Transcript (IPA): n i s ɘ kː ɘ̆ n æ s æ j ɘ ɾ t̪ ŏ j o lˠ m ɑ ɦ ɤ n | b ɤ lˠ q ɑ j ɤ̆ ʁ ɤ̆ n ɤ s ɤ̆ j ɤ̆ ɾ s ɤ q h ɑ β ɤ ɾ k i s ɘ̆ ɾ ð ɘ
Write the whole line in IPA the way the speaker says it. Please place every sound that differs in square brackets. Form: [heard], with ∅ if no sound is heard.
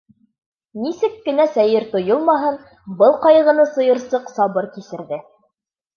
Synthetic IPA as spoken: n i s ɘ kː ɘ̆ n æ s æ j ɘ ɾ t̪ ŏ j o lˠ m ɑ ɦ ɤ n | b ɤ lˠ q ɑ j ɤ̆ ʁ ɤ̆ n ɤ s ɤ̆ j ɤ̆ ɾ s ɤ q [s] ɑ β ɤ ɾ k i s ɘ̆ ɾ ð ɘ